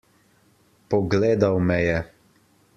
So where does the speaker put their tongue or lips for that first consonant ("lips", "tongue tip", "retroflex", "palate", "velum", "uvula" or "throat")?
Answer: lips